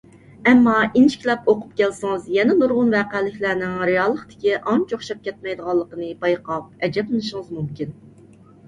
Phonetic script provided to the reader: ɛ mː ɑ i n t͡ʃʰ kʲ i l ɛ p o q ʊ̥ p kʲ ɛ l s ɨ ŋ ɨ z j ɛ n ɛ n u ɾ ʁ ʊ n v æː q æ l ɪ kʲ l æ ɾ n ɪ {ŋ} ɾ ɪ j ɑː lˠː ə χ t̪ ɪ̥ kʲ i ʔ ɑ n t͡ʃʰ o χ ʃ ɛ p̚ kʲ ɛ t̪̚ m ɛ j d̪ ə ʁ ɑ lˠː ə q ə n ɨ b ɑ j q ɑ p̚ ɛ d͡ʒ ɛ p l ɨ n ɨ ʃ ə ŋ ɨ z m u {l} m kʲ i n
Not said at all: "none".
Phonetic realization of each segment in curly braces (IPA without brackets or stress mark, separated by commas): ŋ, none